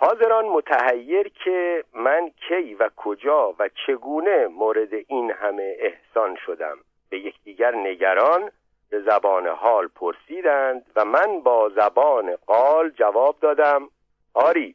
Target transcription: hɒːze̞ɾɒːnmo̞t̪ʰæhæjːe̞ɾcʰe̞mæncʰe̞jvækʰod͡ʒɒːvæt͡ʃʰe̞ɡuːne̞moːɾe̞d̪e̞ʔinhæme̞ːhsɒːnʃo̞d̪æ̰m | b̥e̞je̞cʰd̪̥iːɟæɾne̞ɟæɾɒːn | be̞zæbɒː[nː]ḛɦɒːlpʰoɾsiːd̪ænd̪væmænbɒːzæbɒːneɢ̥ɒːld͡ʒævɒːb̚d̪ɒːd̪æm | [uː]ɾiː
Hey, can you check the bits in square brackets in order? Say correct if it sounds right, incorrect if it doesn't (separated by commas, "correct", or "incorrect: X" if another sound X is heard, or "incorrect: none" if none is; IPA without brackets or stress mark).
incorrect: n, incorrect: ɒː